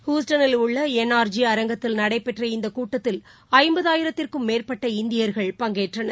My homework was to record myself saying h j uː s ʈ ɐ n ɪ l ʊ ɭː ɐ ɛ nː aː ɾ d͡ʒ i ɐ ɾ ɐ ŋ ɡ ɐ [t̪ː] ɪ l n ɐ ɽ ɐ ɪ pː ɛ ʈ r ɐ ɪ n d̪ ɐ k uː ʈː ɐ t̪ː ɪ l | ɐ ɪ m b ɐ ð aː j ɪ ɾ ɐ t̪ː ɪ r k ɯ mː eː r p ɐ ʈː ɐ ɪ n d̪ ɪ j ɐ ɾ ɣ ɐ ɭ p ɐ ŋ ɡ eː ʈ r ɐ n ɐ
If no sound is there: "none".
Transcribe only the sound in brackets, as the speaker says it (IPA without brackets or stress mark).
t̪ː